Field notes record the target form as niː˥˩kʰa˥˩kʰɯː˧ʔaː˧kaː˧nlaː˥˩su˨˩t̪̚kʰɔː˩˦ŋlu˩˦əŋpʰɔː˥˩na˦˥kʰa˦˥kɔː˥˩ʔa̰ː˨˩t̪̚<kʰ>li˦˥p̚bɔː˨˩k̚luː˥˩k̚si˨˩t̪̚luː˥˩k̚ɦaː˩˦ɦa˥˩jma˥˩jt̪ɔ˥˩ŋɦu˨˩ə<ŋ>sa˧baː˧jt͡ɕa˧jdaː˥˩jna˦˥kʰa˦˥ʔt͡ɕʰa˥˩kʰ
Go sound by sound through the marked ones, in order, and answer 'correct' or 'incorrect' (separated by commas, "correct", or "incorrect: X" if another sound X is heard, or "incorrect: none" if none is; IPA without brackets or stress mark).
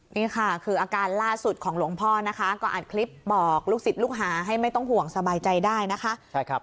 correct, correct